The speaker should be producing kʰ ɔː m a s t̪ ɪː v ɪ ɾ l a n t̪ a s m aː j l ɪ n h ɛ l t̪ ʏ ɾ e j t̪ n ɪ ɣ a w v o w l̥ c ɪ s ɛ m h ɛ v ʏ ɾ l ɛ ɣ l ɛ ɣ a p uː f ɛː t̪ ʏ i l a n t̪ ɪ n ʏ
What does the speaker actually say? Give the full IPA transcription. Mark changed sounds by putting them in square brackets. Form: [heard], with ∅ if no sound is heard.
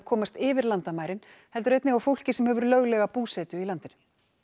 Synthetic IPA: kʰ ɔː m a s t̪ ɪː v ɪ ɾ l a n t̪ a [∅] m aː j [ɾ] ɪ n h ɛ l t̪ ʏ ɾ e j t̪ n ɪ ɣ a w [f] o w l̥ c ɪ s ɛ m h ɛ v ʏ ɾ l [œ] ɣ l ɛ ɣ a p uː [s] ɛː t̪ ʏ i l a n t̪ ɪ n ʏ